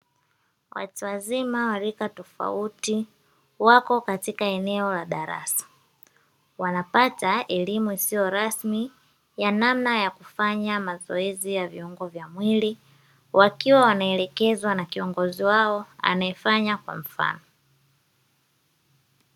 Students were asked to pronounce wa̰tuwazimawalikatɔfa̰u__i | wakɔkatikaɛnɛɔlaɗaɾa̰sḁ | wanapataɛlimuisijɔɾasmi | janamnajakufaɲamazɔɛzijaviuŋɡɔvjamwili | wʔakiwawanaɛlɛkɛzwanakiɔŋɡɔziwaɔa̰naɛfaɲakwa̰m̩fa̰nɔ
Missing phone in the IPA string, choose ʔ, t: t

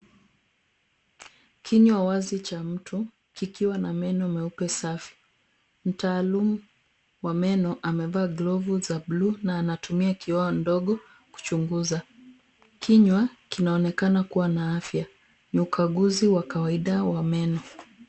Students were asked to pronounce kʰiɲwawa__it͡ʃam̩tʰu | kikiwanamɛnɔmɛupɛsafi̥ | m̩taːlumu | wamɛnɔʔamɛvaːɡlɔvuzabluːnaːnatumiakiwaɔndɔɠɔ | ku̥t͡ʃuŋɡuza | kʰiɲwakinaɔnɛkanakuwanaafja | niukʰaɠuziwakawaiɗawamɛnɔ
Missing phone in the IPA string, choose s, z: z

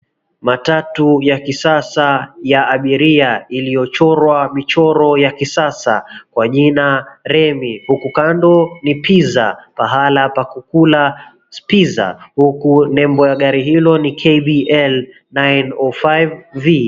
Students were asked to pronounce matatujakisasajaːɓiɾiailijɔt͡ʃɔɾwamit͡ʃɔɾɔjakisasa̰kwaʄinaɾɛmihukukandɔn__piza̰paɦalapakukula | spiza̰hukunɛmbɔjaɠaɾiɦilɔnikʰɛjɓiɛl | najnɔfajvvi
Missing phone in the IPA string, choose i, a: i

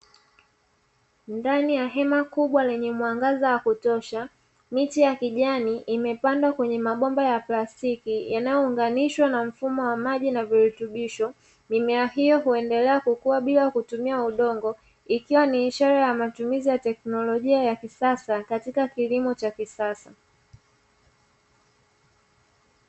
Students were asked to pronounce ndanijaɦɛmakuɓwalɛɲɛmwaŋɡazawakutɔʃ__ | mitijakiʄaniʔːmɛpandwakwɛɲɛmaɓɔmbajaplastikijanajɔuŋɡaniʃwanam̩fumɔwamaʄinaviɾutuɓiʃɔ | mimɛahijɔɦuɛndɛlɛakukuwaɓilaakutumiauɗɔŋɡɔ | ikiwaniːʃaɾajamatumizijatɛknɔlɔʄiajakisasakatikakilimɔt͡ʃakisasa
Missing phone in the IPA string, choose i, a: a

